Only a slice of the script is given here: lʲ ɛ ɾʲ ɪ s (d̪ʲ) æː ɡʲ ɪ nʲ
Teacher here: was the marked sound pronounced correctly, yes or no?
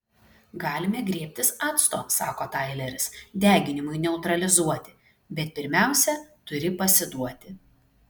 yes